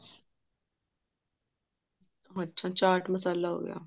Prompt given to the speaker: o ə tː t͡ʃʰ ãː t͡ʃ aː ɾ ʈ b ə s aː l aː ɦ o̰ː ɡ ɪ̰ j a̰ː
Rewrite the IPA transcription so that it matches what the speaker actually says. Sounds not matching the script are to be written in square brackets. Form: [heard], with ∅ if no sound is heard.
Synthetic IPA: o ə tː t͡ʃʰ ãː t͡ʃ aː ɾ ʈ [m] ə s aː l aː ɦ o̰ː ɡ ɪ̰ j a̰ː